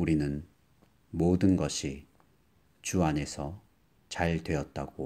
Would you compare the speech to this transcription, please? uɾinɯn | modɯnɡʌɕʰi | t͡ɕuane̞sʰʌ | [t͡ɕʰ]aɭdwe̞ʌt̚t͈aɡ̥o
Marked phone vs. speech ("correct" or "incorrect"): incorrect